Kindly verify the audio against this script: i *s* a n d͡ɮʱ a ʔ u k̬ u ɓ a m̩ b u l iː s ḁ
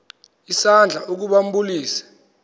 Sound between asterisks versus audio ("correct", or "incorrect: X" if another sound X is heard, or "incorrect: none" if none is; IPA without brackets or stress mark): correct